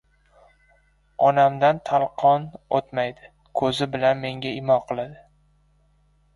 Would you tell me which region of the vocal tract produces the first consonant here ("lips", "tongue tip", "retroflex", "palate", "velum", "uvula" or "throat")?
tongue tip